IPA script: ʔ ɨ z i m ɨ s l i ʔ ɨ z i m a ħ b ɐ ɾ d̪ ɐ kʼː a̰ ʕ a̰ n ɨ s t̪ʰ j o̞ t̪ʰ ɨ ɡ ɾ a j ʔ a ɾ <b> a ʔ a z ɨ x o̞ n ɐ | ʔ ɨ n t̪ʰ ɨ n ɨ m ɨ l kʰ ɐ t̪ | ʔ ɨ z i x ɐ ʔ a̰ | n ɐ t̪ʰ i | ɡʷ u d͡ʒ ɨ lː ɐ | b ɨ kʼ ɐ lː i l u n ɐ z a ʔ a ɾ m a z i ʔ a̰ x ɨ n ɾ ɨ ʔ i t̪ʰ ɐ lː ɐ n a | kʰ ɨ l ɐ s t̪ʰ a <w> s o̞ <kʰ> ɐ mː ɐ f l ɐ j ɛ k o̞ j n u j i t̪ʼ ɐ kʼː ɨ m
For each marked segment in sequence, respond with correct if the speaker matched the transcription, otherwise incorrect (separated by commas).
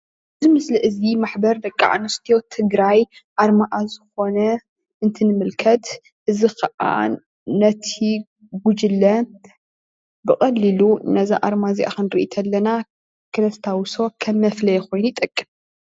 incorrect, correct, correct